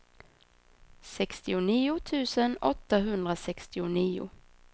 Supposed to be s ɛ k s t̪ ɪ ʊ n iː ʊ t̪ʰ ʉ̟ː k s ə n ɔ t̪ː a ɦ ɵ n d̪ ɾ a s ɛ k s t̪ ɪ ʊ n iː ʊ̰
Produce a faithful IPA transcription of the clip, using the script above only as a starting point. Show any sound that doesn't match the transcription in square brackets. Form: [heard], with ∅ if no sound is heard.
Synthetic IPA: s ɛ k s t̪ ɪ ʊ n iː ʊ t̪ʰ ʉ̟ː [∅] s ə n ɔ t̪ː a ɦ ɵ n d̪ ɾ a s ɛ k s t̪ ɪ ʊ n iː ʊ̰